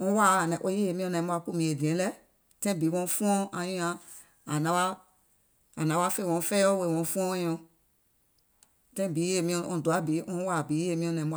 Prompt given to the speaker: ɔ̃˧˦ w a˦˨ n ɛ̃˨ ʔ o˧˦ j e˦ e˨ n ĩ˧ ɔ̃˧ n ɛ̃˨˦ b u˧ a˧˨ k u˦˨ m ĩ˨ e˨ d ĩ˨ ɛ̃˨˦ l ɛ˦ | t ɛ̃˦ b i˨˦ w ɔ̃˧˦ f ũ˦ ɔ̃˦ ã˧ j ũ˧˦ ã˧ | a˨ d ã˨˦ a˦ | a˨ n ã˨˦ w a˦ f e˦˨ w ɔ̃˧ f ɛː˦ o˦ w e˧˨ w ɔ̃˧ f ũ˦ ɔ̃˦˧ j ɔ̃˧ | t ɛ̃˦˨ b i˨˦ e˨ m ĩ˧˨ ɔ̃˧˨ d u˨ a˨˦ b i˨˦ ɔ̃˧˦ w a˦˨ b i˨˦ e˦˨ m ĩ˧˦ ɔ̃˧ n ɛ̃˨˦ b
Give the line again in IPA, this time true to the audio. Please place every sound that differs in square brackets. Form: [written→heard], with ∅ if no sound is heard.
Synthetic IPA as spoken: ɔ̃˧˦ w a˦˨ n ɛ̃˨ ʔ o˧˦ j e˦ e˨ [n→m] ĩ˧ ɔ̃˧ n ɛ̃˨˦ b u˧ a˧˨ k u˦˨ m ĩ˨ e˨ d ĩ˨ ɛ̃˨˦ l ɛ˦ | t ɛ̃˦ b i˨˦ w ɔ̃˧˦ f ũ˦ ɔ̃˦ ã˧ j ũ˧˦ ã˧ | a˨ [d→n] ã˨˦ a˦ | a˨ n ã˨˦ w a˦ f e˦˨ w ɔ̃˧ f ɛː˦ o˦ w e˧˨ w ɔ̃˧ f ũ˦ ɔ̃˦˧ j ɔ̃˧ | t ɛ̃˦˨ b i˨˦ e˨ m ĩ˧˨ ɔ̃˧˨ d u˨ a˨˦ b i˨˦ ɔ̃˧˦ w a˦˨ b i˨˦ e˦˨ m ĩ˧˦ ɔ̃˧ n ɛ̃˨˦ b